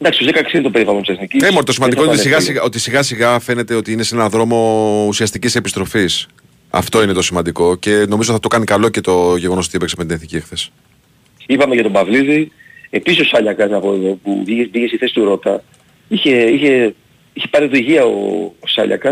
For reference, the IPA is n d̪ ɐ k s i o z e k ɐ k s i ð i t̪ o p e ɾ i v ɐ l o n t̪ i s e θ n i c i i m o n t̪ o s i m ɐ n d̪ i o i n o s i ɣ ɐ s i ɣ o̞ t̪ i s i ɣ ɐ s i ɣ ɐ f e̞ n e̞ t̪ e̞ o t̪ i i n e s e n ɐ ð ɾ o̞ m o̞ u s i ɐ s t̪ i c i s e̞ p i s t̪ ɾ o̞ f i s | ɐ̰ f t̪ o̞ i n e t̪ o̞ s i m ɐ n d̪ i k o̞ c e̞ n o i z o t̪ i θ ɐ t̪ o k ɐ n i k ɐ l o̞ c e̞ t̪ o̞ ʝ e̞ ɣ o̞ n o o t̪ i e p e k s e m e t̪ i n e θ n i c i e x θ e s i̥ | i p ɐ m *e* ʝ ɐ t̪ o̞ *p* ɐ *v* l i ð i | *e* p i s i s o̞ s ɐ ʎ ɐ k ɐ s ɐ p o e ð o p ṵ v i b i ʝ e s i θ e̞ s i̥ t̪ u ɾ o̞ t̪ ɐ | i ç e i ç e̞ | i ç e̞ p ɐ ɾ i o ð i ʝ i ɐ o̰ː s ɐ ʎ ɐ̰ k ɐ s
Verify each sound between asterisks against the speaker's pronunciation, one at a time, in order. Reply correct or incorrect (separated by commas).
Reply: correct, incorrect, correct, correct